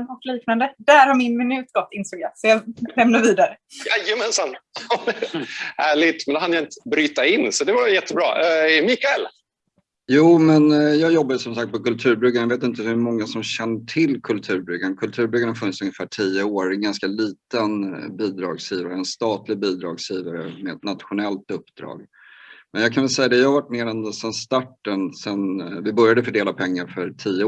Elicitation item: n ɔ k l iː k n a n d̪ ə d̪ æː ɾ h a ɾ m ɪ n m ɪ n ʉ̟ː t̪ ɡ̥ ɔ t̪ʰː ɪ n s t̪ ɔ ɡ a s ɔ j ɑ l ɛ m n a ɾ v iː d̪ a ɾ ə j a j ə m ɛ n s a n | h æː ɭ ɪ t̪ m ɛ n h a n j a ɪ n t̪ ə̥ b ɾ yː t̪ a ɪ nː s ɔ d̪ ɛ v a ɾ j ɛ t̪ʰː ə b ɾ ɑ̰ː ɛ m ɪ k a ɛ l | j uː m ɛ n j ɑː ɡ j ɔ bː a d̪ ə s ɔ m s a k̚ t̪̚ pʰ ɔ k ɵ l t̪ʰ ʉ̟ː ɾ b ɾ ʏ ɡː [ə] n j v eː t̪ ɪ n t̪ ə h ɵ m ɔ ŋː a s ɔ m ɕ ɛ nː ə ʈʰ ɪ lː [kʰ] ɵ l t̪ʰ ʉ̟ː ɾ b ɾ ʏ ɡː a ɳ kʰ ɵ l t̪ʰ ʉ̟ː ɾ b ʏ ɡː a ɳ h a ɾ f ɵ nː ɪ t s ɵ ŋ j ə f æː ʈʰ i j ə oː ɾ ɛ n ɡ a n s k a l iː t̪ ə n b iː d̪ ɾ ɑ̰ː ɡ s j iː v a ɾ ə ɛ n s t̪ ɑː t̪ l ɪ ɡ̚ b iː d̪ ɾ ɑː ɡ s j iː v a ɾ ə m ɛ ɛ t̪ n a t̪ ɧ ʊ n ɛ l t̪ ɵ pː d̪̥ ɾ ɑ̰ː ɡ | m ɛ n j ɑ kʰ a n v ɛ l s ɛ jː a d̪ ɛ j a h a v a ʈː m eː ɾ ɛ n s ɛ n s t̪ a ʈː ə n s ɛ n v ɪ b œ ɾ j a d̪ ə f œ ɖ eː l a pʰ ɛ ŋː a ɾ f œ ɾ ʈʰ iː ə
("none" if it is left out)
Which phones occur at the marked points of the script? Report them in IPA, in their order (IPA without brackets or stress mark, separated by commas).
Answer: a, kʰ